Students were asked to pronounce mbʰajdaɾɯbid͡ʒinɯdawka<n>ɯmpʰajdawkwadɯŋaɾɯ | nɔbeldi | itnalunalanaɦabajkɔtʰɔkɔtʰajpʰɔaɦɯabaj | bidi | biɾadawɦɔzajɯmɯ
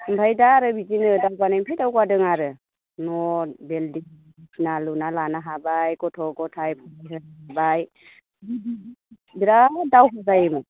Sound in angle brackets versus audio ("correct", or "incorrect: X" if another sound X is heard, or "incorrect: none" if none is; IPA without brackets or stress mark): correct